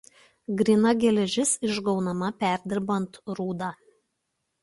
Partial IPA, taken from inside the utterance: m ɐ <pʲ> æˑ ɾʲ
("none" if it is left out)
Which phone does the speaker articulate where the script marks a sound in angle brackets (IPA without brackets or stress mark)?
pʲ